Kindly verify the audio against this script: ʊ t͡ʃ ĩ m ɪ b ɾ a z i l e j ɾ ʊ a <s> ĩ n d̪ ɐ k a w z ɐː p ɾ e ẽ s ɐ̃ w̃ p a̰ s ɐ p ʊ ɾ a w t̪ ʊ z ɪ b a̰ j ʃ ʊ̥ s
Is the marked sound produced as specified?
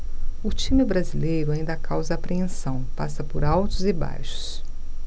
no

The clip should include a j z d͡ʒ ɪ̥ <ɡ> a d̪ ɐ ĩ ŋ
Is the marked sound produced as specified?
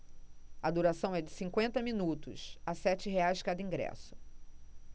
no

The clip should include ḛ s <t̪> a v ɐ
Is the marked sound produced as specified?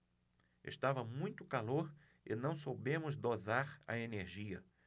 yes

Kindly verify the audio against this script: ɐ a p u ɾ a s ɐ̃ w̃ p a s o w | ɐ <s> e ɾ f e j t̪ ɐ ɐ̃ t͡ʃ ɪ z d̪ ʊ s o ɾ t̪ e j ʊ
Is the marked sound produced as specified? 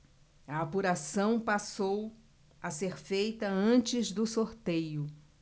yes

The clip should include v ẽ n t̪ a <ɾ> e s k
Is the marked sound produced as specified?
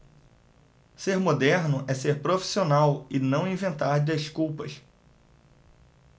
yes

